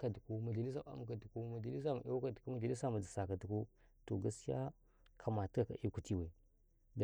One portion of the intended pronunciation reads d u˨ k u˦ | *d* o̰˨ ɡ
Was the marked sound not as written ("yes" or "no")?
yes